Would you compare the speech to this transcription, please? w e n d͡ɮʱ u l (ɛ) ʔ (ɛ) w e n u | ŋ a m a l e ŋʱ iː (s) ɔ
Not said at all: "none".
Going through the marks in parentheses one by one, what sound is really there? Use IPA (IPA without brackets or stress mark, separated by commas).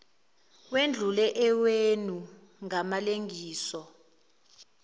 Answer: ɛ, ɛ, s